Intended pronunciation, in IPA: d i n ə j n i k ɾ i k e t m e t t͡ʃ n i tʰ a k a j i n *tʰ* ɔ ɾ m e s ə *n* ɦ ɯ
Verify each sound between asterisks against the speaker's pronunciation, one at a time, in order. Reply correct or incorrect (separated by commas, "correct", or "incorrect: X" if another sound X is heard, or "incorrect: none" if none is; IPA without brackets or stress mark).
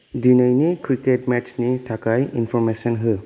incorrect: pʰ, correct